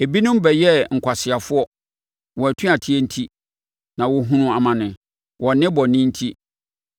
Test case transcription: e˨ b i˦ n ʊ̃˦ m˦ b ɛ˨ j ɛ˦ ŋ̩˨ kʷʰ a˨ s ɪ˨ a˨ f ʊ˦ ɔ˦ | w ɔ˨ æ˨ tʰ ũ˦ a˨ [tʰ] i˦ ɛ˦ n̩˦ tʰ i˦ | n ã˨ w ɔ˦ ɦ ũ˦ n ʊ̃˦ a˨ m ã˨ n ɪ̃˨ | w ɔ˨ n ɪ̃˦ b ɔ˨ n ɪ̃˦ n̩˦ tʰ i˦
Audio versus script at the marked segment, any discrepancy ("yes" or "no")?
no